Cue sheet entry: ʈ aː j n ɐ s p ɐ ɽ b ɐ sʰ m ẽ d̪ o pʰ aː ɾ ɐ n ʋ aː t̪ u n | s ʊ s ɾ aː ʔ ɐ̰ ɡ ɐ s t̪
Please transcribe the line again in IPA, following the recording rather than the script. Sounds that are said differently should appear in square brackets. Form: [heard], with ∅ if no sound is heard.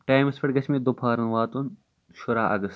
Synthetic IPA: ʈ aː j [m] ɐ s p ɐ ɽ [ɡ] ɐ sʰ m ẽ d̪ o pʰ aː ɾ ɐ n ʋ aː t̪ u n | [ʃ] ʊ [∅] ɾ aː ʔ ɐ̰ ɡ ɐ s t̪